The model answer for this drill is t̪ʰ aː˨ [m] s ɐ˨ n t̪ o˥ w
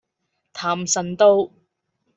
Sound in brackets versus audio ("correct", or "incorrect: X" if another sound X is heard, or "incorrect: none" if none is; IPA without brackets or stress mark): correct